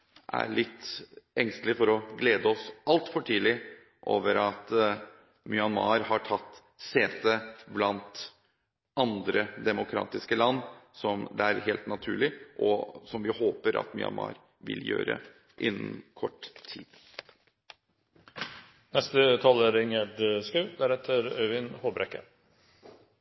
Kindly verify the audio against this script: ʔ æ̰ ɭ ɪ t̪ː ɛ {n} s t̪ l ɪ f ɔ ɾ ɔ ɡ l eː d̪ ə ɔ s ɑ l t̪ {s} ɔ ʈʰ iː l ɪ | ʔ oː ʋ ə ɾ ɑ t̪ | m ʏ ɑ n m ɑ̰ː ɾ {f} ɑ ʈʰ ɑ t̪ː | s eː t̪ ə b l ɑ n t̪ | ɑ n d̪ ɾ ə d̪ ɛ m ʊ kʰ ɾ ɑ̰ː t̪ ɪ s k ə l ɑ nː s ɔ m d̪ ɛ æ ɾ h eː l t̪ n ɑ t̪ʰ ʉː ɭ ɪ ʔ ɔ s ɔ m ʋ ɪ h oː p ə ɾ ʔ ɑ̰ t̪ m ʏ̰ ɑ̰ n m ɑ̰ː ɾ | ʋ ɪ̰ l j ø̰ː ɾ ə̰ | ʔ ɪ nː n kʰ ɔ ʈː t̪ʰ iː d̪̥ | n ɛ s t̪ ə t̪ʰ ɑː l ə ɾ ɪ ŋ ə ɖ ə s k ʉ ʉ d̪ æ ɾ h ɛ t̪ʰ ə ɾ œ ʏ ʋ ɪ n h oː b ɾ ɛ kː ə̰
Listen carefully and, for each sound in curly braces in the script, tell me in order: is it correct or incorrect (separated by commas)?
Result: incorrect, incorrect, incorrect